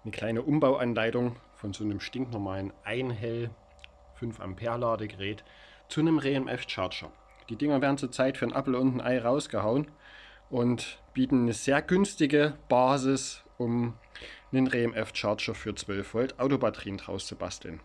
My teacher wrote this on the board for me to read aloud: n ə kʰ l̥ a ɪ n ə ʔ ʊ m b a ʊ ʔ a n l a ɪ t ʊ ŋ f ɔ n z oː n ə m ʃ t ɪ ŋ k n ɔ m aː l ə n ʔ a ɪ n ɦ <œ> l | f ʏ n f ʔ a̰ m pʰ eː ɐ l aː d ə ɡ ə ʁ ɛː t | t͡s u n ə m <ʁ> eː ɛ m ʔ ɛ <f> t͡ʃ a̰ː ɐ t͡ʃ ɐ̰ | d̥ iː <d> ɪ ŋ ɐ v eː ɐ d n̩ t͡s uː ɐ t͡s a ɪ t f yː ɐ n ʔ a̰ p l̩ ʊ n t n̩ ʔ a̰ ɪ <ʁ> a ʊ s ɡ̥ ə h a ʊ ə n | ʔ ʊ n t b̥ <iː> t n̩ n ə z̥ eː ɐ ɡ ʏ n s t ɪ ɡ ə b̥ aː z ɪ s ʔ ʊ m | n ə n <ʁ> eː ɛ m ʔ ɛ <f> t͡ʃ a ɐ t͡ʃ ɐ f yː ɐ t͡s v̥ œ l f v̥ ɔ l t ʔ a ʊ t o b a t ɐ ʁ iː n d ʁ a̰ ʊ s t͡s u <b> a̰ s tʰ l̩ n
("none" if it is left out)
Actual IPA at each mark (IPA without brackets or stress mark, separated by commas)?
ɛ, ʁ, f, d, ʁ, iː, ʁ, f, b